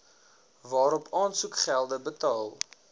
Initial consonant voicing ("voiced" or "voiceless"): voiced